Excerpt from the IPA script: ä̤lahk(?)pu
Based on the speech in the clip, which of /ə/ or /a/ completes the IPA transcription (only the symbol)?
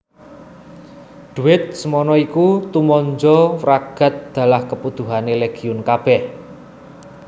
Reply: ə